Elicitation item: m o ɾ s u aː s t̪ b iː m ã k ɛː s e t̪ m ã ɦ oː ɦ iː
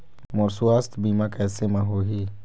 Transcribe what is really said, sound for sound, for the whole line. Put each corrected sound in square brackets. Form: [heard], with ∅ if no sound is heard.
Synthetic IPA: m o ɾ s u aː s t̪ b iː m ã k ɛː s e [∅] m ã ɦ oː ɦ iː